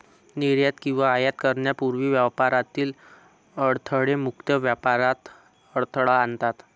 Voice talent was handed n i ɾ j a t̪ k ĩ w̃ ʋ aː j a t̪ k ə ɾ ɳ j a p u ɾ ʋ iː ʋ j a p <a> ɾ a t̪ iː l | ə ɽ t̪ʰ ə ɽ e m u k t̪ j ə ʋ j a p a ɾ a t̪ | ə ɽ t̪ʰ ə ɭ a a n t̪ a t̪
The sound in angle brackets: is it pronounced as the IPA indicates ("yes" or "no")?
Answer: yes